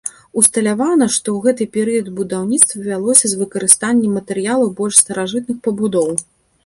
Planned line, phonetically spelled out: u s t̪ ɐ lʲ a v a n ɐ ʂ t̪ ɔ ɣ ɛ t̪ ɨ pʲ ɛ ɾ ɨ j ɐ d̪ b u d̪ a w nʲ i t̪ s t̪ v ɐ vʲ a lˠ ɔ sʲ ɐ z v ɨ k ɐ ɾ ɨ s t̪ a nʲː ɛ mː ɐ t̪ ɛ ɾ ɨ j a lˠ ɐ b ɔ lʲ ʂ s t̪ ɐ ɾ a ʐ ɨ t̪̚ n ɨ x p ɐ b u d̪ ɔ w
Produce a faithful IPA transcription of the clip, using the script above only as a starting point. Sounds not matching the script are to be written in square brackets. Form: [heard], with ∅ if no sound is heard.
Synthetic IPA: u s t̪ ɐ lʲ a v a n ɐ ʂ t̪ ɔ ɣ ɛ t̪ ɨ pʲ ɛ ɾ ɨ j ɐ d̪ b u d̪ a w nʲ i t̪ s t̪ v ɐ vʲ a lˠ ɔ sʲ ɐ z v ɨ k ɐ ɾ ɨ s t̪ a nʲː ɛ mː ɐ t̪ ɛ ɾ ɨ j a lˠ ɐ b ɔ lʲ ʂ s t̪ ɐ ɾ a ʐ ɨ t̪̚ n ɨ x p ɐ b u d̪ ɔ w